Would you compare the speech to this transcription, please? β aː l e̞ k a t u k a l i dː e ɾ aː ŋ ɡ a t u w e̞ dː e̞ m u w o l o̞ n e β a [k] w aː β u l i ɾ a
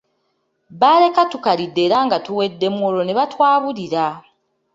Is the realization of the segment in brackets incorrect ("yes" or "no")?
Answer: yes